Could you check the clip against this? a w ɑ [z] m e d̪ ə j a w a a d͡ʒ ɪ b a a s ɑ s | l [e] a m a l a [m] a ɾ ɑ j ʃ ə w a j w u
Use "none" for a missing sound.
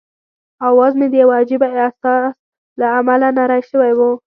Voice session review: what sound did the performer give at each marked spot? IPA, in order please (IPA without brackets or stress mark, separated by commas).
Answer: z, a, n